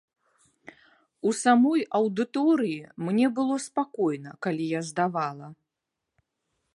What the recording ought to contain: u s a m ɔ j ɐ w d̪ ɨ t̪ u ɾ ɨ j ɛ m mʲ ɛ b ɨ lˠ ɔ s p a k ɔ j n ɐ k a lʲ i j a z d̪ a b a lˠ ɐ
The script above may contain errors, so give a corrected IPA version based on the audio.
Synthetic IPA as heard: u s a m ɔ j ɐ w d̪ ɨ t̪ ɔ ɾ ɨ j i m nʲ ɛ b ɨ lˠ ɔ s p a k ɔ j n ɐ k a lʲ i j a z d̪ a v a lˠ ɐ